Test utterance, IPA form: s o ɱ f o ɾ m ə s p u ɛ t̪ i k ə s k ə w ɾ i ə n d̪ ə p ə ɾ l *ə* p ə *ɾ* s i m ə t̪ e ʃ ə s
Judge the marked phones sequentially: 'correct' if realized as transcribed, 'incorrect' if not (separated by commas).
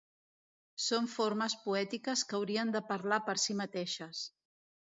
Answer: incorrect, correct